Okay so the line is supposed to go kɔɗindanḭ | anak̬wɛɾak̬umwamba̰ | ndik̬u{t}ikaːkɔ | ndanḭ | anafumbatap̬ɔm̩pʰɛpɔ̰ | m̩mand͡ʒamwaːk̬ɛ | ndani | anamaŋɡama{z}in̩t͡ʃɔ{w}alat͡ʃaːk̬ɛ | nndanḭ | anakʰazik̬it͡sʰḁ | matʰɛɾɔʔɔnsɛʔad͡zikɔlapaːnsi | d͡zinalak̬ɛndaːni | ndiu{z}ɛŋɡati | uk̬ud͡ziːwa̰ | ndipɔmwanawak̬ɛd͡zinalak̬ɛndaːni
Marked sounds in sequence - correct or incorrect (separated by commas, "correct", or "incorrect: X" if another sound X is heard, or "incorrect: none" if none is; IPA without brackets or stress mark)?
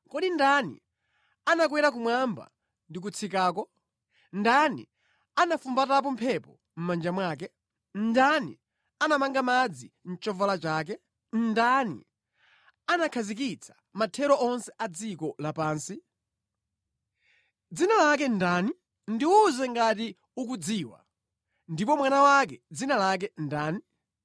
incorrect: t͡sʰ, incorrect: d͡z, incorrect: v, correct